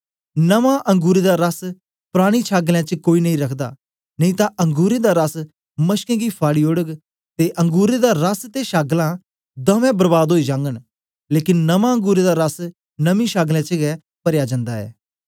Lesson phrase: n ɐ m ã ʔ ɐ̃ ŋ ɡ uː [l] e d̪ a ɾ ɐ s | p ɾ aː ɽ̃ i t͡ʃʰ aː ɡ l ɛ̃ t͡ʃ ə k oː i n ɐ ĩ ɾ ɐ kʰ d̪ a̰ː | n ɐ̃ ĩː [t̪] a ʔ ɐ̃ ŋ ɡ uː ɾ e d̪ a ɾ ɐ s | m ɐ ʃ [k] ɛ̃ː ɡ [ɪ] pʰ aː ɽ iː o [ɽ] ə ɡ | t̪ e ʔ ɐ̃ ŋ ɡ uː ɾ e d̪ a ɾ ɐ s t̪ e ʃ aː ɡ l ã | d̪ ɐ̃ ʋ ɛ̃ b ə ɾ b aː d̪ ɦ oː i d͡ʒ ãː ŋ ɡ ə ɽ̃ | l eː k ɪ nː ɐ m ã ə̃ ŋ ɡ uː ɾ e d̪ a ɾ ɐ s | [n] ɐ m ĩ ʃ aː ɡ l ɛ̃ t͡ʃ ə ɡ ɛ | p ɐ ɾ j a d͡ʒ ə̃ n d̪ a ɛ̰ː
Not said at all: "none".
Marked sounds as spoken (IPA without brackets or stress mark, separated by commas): ɾ, t̪, k, i, ɽ, n